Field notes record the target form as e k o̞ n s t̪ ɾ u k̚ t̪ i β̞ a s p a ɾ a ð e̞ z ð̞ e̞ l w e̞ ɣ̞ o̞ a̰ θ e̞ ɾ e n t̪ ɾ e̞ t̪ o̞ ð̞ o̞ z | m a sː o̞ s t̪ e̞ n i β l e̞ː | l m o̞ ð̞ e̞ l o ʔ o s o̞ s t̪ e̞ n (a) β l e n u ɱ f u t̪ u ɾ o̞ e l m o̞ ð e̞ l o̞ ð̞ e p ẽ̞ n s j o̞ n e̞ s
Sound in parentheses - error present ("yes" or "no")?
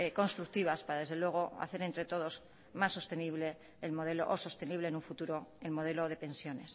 yes